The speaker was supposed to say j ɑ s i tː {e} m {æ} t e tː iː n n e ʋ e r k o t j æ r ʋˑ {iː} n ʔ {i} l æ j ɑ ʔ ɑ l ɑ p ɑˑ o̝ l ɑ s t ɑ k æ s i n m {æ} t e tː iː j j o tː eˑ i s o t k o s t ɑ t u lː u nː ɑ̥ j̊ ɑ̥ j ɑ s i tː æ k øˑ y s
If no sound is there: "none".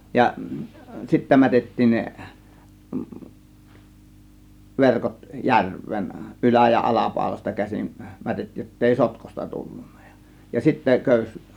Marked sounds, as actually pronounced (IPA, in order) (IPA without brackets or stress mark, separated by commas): æ, æ, eː, y, æ